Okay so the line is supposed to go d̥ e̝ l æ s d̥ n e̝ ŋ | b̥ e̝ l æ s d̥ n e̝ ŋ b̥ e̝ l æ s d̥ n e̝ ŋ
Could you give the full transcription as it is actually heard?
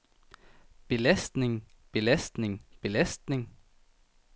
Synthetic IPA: b̥ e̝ l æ s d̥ n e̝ ŋ | b̥ e̝ l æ s d̥ n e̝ ŋ b̥ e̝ l æ s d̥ n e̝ ŋ